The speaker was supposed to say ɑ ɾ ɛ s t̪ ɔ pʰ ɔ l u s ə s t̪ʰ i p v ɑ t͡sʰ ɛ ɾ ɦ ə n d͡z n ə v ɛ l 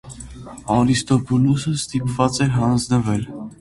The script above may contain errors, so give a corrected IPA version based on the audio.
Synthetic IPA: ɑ ɾ i s t̪ ɔ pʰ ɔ l u s ə s t̪ i p v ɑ t͡s ɛ ɾ ɦ ɑ n d͡z n ə v ɛ l